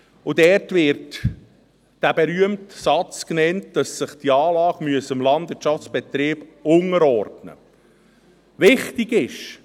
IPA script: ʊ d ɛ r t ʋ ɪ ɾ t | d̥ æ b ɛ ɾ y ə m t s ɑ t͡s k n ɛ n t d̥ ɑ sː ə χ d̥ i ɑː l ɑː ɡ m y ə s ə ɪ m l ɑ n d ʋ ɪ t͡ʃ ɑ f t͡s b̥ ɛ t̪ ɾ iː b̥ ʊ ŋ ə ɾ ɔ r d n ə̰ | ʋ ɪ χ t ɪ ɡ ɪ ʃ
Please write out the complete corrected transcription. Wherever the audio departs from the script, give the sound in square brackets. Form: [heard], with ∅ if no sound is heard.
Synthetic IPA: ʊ d ɛ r t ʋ ɪ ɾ t | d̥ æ b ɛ ɾ y ə m t s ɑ t͡s k n ɛ n t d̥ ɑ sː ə χ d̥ i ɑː l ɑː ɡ m y ə s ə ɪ m l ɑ n d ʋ ɪ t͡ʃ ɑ f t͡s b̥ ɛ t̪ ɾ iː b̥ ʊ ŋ ə ɾ ɔ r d n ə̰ | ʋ ɪ χ t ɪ ɡ ɪ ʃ